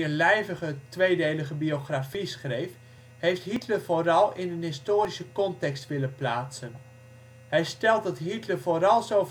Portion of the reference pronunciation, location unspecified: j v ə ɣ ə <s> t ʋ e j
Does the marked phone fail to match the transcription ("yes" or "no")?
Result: yes